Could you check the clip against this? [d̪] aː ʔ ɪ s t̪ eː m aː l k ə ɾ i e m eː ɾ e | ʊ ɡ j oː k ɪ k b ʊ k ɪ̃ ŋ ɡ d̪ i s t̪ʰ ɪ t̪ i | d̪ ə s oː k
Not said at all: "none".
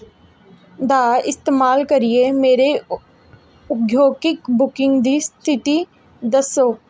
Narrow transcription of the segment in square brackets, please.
d̪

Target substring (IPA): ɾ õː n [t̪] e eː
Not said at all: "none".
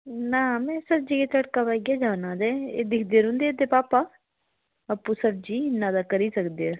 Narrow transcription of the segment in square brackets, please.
d̪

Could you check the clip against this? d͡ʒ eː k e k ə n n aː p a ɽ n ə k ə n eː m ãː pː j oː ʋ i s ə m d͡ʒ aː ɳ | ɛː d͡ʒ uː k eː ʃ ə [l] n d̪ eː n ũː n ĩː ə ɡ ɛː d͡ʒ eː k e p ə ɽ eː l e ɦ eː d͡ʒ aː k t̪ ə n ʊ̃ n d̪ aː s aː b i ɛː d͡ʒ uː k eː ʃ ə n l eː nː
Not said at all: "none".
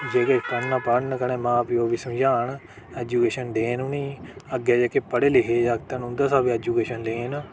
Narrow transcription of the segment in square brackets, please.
none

